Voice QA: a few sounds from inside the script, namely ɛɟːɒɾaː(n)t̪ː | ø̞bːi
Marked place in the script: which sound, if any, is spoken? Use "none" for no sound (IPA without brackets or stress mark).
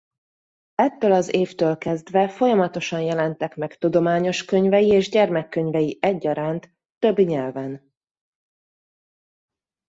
n